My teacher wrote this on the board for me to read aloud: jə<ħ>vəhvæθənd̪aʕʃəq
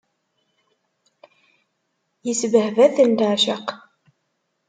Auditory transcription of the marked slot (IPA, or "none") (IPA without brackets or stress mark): s